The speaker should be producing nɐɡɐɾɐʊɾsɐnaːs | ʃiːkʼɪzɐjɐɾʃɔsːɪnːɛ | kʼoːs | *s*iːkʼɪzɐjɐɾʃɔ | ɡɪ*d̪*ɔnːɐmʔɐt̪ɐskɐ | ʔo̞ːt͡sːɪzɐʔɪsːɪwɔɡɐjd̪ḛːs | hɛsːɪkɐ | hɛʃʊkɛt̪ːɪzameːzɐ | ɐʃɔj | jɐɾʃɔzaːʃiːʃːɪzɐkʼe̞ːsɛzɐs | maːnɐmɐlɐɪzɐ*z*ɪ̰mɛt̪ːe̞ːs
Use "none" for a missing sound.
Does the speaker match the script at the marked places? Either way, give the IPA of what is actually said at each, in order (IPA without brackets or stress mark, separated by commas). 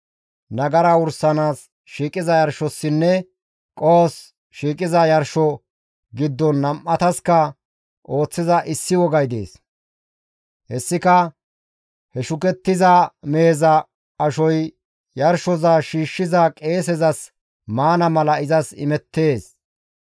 ʃ, d̪ː, s